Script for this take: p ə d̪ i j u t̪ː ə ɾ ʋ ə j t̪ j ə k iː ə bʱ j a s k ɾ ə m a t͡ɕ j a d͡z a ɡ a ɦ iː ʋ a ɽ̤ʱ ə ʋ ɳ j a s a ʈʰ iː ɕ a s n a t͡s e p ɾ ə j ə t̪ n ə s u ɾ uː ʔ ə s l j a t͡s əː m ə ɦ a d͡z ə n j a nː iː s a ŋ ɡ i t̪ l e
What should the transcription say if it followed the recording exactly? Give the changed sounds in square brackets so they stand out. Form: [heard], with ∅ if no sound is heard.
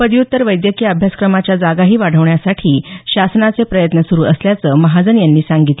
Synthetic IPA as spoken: p ə d̪ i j u t̪ː ə ɾ ʋ ə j [d̪] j ə k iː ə bʱ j a s k ɾ ə m a t͡ɕ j a d͡z a ɡ a ɦ iː ʋ a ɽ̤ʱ ə ʋ ɳ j a s a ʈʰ iː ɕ a s n a t͡s e p ɾ ə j ə t̪ n ə s u ɾ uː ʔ ə s l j a t͡s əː m ə ɦ a d͡z ə n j a nː iː s a ŋ ɡ i t̪ l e